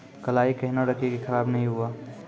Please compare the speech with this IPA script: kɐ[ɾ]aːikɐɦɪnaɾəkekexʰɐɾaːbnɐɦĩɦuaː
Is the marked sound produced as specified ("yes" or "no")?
no